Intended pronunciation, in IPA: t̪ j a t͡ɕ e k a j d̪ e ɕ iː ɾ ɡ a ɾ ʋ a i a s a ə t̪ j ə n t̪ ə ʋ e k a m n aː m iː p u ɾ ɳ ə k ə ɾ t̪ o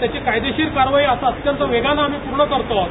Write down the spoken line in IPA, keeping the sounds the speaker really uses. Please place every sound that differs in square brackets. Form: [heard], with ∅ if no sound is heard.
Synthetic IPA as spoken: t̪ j a t͡ɕ e k a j d̪ e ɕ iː ɾ [k] a ɾ ʋ a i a s a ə t̪ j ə n t̪ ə ʋ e [ɡ] a [∅] n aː m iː p u ɾ ɳ ə k ə ɾ t̪ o